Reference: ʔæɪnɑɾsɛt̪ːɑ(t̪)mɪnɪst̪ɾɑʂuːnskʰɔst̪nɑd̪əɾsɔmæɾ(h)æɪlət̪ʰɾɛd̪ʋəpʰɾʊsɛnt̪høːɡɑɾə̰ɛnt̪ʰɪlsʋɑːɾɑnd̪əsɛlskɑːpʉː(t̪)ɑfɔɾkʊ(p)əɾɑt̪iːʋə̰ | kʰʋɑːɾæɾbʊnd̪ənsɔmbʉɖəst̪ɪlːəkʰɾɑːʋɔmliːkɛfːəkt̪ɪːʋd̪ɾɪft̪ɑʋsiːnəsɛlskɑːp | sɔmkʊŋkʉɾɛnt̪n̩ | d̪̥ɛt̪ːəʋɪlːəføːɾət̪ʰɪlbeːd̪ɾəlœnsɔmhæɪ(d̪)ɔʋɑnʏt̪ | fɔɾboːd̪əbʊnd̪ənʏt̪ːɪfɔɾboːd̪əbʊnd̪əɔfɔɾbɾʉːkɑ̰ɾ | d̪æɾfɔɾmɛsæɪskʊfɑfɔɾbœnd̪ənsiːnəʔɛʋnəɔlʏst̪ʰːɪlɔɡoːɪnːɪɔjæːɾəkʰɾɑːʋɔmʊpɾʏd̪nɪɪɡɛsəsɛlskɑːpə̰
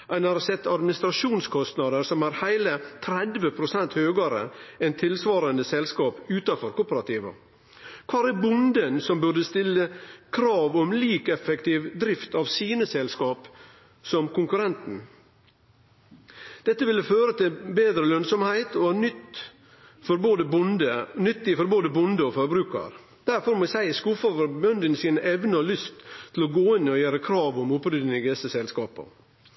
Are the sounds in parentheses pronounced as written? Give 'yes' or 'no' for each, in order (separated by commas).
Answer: no, yes, yes, yes, no